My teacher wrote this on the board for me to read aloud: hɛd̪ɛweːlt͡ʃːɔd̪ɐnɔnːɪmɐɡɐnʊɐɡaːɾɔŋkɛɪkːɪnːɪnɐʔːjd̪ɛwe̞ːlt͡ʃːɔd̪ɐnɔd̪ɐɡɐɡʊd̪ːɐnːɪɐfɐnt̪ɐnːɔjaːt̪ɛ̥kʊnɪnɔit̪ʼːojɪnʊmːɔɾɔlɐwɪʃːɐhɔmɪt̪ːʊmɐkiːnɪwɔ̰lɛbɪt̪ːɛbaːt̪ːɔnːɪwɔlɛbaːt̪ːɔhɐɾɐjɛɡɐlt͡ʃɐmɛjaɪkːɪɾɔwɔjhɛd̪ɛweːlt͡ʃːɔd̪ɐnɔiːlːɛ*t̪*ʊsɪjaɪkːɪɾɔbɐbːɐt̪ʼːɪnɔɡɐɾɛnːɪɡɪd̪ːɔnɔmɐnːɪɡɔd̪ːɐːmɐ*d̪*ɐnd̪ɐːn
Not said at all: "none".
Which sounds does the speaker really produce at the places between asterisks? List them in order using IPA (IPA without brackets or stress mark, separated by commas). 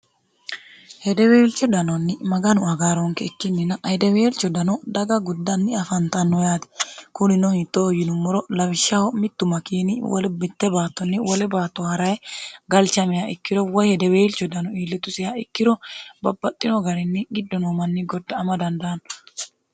t̪, d̪